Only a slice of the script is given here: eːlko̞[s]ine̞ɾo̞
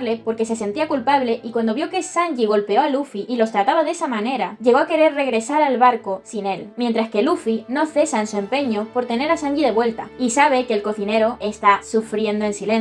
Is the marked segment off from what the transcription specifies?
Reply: yes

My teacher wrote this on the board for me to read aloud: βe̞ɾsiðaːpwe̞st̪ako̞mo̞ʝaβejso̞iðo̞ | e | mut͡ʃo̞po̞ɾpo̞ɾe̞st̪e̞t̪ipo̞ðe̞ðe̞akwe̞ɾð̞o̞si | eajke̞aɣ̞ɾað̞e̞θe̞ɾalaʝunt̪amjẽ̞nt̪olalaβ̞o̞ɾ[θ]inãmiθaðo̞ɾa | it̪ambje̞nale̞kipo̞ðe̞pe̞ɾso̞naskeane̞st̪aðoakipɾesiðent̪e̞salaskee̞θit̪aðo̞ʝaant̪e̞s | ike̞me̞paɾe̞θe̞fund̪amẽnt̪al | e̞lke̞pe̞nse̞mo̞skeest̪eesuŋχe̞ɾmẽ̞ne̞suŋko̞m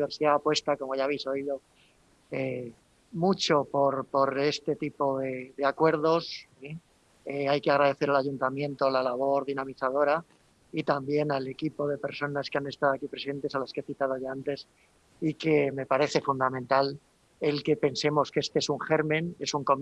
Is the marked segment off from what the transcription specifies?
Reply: yes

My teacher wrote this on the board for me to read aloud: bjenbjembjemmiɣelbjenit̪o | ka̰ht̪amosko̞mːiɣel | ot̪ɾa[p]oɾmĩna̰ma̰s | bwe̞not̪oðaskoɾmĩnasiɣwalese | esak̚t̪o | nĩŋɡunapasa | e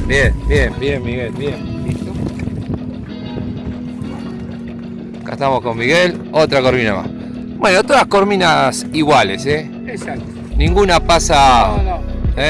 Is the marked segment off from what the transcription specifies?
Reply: yes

